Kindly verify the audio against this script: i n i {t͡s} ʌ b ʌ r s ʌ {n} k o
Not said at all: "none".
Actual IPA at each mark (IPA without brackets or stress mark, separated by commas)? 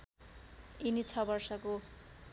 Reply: t͡sʰ, none